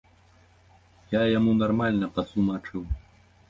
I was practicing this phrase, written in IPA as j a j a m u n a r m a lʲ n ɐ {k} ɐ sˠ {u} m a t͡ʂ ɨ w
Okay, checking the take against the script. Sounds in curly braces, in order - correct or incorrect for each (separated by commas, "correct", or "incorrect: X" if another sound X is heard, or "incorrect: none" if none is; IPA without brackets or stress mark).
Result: incorrect: p, correct